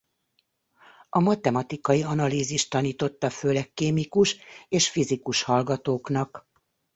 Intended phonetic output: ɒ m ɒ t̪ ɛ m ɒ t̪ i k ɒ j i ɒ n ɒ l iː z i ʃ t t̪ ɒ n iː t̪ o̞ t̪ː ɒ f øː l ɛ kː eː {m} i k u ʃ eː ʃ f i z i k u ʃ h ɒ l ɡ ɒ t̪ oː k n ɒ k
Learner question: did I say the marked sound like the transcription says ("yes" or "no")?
yes